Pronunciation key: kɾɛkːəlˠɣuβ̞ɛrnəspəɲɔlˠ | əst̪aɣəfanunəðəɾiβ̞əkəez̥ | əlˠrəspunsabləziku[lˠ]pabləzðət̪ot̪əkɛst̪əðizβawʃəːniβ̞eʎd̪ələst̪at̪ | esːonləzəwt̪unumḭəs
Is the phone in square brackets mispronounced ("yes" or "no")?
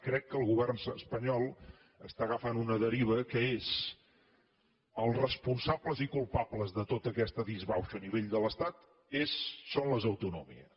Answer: no